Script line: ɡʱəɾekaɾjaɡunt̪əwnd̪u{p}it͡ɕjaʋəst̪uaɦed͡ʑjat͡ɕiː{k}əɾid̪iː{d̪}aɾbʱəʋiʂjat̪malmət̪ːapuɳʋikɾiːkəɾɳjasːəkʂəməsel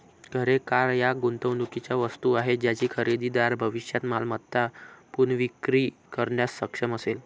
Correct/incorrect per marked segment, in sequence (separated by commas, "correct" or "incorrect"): incorrect, incorrect, correct